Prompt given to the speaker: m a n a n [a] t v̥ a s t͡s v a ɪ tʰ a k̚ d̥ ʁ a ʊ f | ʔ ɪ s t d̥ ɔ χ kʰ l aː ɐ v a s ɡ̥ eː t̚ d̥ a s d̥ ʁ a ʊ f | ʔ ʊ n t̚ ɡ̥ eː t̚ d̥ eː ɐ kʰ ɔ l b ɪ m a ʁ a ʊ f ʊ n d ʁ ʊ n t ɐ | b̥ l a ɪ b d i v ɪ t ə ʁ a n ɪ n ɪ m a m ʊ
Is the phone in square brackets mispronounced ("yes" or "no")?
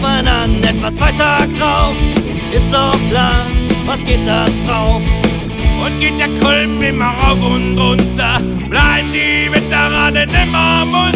yes